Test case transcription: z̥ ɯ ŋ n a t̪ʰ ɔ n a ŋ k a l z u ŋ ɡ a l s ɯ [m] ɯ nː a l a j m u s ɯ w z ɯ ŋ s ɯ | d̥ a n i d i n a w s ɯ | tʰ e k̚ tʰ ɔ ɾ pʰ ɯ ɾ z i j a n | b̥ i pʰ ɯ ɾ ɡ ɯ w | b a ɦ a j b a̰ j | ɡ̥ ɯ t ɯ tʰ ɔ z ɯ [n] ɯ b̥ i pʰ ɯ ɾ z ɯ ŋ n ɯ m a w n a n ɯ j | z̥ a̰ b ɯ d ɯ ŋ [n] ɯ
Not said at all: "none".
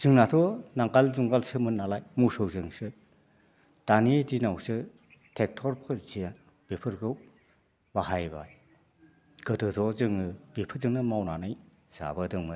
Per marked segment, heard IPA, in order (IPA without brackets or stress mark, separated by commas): m, ŋ, m